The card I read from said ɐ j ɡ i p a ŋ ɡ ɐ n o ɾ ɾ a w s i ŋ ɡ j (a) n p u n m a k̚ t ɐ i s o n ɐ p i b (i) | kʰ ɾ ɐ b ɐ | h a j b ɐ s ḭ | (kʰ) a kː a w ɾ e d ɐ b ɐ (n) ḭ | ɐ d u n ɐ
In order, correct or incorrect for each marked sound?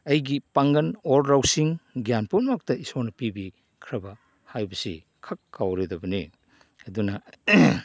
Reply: correct, correct, correct, correct

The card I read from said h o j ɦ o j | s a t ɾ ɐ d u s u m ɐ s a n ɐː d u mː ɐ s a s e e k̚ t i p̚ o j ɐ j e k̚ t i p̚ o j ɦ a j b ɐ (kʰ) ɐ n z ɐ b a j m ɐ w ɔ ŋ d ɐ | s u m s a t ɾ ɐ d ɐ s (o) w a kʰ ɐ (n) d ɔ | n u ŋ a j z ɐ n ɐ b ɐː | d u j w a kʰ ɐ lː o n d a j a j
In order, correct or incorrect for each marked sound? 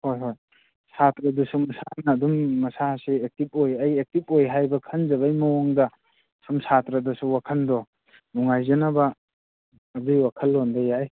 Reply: correct, incorrect: u, correct

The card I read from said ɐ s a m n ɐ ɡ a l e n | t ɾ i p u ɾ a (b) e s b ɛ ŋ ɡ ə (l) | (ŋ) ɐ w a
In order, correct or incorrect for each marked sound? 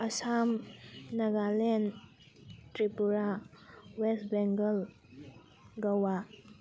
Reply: incorrect: w, correct, incorrect: ɡ

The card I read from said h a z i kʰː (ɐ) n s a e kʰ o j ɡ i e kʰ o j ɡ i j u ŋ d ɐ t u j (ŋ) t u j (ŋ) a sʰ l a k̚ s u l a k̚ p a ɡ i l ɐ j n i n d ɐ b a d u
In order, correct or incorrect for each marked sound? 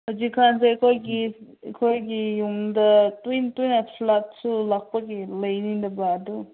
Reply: incorrect: a, incorrect: n, incorrect: n

